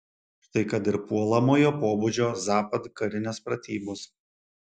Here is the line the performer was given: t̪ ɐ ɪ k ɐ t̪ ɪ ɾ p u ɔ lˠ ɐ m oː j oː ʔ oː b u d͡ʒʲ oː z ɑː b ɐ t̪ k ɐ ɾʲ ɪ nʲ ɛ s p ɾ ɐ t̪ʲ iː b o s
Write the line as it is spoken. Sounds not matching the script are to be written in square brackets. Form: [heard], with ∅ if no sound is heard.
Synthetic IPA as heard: t̪ ɐ ɪ k ɐ t̪ ɪ ɾ p u ɔ lˠ ɐ m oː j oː [p] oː b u d͡ʒʲ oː z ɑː [p] ɐ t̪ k ɐ ɾʲ ɪ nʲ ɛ s p ɾ ɐ t̪ʲ iː b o s